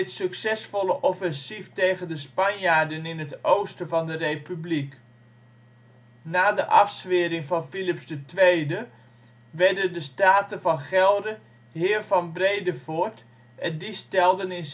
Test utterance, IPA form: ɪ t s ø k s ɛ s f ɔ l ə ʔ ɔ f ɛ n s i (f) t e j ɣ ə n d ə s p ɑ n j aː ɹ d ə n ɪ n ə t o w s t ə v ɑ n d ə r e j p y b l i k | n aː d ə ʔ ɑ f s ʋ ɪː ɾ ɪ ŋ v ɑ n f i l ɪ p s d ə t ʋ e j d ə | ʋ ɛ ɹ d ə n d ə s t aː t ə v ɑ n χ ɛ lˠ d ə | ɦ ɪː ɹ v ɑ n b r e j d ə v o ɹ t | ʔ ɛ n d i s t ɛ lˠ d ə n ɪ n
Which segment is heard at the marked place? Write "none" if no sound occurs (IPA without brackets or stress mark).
f